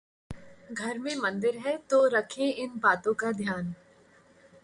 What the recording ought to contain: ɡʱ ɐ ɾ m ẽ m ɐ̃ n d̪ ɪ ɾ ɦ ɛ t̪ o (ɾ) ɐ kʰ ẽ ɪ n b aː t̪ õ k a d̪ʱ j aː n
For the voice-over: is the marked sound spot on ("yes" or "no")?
yes